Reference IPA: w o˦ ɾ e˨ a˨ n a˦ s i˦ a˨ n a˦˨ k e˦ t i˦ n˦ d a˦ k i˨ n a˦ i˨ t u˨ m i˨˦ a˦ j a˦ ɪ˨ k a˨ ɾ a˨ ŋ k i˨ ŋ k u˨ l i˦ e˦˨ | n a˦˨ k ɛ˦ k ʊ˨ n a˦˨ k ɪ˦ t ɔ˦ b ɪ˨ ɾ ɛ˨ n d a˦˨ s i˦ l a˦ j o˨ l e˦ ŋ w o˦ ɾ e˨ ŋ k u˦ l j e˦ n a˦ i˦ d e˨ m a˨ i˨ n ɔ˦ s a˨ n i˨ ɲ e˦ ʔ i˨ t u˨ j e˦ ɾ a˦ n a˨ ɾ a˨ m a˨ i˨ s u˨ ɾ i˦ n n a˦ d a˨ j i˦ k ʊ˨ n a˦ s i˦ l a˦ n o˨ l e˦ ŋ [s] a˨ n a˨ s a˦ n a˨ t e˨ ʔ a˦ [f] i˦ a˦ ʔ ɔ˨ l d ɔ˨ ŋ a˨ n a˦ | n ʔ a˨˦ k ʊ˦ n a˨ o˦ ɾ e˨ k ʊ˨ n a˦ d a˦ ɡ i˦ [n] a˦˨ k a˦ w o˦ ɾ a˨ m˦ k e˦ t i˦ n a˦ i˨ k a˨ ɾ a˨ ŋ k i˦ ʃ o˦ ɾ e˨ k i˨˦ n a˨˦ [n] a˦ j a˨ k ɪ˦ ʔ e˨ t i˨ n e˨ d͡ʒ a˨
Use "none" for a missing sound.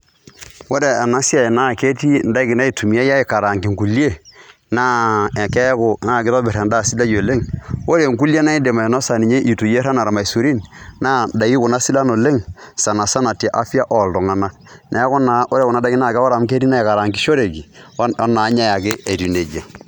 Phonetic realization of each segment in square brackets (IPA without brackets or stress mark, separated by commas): s, f, n, ɲ